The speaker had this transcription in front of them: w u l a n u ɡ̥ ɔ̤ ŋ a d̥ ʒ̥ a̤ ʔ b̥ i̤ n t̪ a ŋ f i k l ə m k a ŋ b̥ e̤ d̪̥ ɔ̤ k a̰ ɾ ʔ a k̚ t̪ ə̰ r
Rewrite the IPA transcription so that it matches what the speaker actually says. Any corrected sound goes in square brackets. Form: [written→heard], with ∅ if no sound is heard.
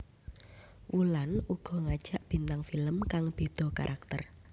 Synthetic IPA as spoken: w u l a n u ɡ̥ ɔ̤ ŋ a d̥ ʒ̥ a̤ ʔ b̥ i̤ n t̪ a ŋ f i [k→∅] l ə m k a ŋ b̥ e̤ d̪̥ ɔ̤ k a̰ ɾ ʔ a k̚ t̪ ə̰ r

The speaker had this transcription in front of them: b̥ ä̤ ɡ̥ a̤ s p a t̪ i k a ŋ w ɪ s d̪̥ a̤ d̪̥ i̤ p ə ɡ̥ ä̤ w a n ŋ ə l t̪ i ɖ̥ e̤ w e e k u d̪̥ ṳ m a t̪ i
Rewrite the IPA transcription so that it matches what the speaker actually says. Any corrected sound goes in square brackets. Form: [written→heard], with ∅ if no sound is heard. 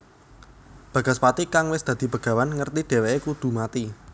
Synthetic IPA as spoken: b̥ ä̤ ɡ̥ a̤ s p a t̪ i k a ŋ w ɪ s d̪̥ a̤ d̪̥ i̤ p ə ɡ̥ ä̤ w a n ŋ ə [l→r] t̪ i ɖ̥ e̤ w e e k u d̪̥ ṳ m a t̪ i

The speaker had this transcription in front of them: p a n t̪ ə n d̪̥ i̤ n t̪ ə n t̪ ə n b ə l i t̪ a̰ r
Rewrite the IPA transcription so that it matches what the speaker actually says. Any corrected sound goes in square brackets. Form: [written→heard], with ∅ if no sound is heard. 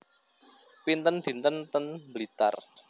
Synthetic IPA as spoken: p [a→i] n t̪ ə n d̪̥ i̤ n t̪ ə n t̪ ə n b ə l i t̪ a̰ r

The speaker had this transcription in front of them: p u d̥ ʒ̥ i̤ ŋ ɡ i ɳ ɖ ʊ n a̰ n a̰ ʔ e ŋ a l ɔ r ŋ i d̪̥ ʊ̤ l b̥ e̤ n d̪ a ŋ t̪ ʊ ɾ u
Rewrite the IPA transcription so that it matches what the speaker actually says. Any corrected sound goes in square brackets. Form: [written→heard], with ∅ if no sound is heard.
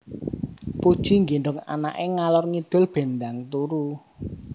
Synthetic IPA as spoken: p u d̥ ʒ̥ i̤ ŋ ɡ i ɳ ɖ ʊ [n→ŋ] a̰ n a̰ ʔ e ŋ a l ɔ r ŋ i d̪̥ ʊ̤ l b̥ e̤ n d̪ a ŋ t̪ [ʊ→u] ɾ u

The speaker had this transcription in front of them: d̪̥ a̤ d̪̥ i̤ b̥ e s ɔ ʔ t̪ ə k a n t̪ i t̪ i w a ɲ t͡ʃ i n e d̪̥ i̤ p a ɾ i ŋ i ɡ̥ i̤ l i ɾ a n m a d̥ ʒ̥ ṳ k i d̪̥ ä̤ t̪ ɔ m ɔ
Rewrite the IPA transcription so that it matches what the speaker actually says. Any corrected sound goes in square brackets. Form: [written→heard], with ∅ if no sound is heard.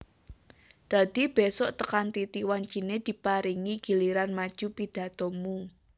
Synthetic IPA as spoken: d̪̥ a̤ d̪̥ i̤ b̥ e s ɔ ʔ t̪ ə k a n t̪ i t̪ i w a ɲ t͡ʃ i n e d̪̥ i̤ p a ɾ i ŋ i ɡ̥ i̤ l i ɾ a n m a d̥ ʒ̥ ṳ [k→p] i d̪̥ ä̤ t̪ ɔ m [ɔ→u]

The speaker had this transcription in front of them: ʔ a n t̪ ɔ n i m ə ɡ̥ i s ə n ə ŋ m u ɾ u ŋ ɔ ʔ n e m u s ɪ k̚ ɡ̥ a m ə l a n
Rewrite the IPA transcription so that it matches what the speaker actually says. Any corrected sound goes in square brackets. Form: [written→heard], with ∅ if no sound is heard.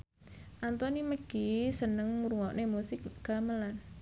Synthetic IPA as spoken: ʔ a n t̪ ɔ n i m ə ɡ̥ i s ə n ə ŋ m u ɾ u ŋ ɔ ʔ n e m u s ɪ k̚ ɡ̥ a m ə l a n

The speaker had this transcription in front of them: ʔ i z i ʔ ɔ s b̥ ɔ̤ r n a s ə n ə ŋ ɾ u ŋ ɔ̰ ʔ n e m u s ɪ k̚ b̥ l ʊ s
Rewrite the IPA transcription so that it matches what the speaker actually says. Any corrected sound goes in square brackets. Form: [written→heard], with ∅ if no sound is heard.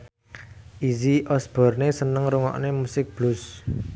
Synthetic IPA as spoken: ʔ i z i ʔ ɔ s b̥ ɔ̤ r n [a→e] s ə n ə ŋ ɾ u ŋ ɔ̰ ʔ n e m u s ɪ k̚ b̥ l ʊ s

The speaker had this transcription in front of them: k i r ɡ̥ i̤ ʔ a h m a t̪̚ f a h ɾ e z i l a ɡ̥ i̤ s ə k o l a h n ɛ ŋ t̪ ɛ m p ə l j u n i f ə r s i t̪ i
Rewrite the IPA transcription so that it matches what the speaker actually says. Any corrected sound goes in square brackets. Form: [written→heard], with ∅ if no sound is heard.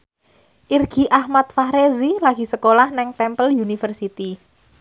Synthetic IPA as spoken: [k→ʔ] i r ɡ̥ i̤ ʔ a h m a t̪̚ f a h ɾ e z i l a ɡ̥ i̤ s ə k o l a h n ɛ ŋ t̪ ɛ m p ə l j u n i f ə r s i t̪ i

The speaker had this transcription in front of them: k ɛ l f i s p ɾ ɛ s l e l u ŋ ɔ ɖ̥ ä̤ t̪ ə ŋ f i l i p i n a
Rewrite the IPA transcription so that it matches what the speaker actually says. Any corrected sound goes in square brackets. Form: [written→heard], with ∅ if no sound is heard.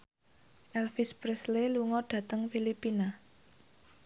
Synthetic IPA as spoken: [k→ʔ] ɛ l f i s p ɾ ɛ s l e l u ŋ ɔ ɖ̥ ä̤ t̪ ə ŋ f i l i p i n a

